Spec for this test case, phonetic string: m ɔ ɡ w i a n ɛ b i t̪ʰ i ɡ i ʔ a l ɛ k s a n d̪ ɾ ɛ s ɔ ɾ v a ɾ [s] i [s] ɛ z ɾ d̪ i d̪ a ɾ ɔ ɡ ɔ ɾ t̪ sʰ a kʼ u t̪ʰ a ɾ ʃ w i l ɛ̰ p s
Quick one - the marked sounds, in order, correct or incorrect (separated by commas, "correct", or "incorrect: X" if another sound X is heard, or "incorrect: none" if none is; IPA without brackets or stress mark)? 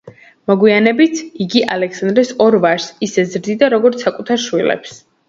correct, correct